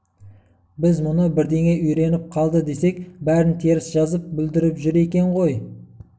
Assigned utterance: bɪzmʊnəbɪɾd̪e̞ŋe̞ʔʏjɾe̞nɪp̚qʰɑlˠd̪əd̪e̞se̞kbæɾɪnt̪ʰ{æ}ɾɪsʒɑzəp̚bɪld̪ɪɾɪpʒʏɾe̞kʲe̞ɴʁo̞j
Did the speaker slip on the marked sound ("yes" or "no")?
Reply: yes